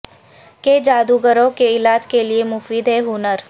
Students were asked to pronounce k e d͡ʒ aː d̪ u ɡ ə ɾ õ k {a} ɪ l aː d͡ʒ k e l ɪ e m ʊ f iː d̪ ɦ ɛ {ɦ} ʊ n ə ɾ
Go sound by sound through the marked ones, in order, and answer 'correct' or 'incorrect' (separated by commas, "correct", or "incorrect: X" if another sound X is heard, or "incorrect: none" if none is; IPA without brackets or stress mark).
incorrect: e, correct